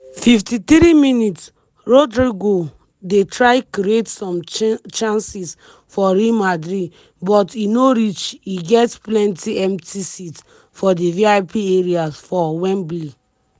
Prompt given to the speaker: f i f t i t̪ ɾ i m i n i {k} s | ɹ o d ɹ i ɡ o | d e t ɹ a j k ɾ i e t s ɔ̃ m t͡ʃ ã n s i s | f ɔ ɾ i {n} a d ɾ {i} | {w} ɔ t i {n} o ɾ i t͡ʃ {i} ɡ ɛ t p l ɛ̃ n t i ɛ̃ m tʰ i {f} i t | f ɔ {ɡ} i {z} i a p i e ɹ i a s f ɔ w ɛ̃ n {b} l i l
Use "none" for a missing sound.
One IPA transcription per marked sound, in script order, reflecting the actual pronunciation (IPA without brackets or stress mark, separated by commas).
t, m, i, b, n, i, s, d, v, b